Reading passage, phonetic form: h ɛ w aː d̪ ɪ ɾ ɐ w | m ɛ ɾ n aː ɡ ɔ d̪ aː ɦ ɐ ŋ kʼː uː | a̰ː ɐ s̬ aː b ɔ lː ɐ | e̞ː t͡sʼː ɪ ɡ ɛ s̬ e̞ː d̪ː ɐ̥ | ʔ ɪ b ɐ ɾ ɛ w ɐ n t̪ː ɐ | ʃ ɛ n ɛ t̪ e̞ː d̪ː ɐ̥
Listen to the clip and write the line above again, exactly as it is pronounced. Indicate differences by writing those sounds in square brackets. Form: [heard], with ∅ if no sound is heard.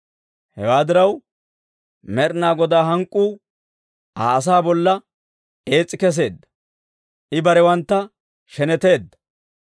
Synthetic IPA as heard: h ɛ w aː d̪ ɪ ɾ ɐ w | m ɛ ɾ n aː ɡ ɔ d̪ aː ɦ ɐ ŋ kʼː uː | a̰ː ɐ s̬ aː b ɔ lː ɐ | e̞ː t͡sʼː ɪ [k] ɛ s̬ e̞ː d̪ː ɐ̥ | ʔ ɪ b ɐ ɾ ɛ w ɐ n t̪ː ɐ | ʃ ɛ n ɛ t̪ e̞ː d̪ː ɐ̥